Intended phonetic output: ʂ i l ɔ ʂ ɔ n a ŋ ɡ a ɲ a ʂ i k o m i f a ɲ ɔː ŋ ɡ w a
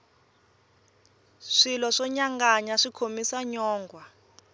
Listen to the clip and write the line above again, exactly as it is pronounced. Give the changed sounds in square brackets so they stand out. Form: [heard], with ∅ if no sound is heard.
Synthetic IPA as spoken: ʂ i l ɔ ʂ ɔ [ɲ] a ŋ ɡ a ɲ a ʂ i [kʰ] o m i [s] a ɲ ɔː ŋ ɡ w a